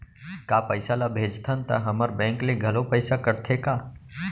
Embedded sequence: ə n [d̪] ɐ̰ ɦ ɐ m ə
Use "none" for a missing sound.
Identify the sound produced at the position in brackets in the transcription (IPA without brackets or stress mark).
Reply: t̪